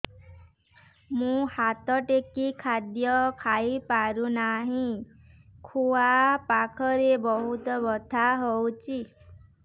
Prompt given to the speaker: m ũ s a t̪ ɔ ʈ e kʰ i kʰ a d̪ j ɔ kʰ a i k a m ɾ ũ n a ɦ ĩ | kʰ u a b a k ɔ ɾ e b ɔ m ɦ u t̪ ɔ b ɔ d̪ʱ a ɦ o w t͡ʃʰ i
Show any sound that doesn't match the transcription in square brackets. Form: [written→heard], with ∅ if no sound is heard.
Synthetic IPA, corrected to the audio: m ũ [s→h] a t̪ ɔ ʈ e [kʰ→k] i kʰ a d̪ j ɔ kʰ a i [k→p] a [m→∅] ɾ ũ n a ɦ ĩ | kʰ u a [b→p] a [k→kʰ] ɔ ɾ e b ɔ [m→∅] ɦ u t̪ ɔ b ɔ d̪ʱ a ɦ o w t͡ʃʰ i